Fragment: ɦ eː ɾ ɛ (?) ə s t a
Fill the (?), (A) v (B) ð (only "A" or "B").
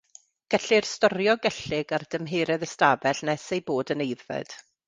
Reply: B